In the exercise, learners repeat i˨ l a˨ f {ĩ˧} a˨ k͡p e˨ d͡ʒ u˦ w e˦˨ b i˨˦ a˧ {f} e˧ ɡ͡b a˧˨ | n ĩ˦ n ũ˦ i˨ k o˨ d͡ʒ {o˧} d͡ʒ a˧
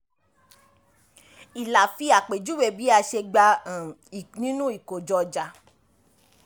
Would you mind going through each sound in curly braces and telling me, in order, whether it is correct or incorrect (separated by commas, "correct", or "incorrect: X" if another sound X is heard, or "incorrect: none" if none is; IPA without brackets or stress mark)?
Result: incorrect: i˧, incorrect: ʃ, incorrect: ɔ˧